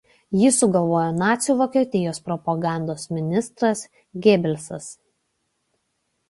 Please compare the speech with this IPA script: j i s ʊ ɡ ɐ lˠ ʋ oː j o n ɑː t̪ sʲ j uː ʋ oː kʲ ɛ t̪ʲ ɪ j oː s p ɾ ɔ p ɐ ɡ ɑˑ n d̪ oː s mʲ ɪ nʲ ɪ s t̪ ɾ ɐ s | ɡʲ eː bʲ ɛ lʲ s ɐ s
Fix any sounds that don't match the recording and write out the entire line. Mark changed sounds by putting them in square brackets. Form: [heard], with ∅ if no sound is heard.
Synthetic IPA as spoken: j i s ʊ ɡ ɐ lˠ ʋ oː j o n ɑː t̪ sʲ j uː ʋ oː kʲ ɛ t̪ʲ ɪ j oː s p ɾ ɔ p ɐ ɡ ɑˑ n d̪ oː s mʲ ɪ nʲ ɪ s t̪ ɾ ɐ s | ɡʲ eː bʲ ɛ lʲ s ɐ s